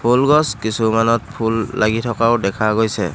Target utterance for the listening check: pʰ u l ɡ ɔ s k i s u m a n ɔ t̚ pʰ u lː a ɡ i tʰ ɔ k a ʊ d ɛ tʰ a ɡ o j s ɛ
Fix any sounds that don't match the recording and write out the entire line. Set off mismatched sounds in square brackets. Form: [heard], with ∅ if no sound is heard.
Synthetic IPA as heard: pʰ u l ɡ ɔ s k i s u m a n ɔ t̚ pʰ u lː a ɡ i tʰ ɔ k a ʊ d ɛ [kʰ] a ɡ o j s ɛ